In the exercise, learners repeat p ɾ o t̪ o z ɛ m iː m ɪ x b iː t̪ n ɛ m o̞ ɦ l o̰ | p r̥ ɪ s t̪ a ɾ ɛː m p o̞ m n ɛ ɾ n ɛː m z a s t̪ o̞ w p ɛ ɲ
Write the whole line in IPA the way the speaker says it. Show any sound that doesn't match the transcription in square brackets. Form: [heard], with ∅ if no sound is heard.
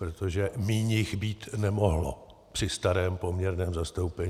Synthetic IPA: p ɾ o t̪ o [ʒ] ɛ m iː [ɲ] ɪ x b iː t̪ n ɛ m o̞ ɦ l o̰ | p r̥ ɪ s t̪ a ɾ ɛː m p o̞ m [ɲ] ɛ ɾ n ɛː m z a s t̪ o̞ w p ɛ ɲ